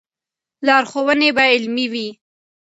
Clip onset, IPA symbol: l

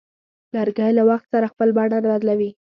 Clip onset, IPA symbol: l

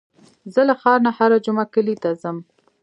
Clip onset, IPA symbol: z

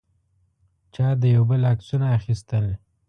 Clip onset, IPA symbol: t͡ʃ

